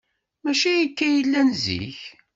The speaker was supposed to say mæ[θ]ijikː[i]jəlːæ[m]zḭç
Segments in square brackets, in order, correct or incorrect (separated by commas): incorrect, incorrect, incorrect